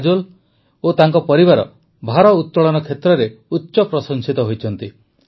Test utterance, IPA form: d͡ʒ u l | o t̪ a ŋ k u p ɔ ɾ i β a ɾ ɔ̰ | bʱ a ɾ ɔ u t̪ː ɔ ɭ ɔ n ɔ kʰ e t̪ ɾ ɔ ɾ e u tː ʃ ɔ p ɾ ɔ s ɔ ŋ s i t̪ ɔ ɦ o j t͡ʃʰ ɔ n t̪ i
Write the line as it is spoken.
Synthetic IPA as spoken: d͡ʒ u l | o t̪ a ŋ k ɔ p ɔ ɾ i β a ɾ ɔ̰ | bʱ a ɾ ɔ u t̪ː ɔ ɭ ɔ n ɔ kʰ e t̪ ɾ ɔ ɾ e u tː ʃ ɔ p ɾ ɔ s ɔ ŋ s i t̪ ɔ ɦ o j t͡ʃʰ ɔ n t̪ i